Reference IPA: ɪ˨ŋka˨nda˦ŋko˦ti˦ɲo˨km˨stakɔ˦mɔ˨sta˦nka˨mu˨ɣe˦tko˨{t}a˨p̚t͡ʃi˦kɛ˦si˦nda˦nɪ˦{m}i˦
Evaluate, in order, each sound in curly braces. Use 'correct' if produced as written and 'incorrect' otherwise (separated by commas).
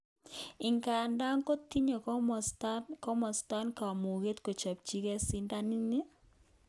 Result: incorrect, incorrect